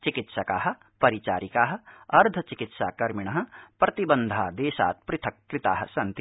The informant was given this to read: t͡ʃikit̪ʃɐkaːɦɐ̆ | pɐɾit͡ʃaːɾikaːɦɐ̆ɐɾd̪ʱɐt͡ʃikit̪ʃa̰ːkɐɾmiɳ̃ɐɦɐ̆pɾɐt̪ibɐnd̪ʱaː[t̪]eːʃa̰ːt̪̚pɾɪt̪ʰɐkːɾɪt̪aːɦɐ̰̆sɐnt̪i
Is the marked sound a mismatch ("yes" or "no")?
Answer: yes